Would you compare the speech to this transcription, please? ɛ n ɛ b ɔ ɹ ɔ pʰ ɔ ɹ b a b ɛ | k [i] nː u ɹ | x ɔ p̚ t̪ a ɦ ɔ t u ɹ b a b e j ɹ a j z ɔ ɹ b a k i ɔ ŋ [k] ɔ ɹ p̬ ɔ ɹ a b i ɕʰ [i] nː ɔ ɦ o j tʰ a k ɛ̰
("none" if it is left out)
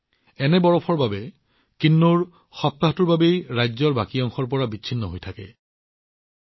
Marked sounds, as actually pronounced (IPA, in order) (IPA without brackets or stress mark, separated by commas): i, x, i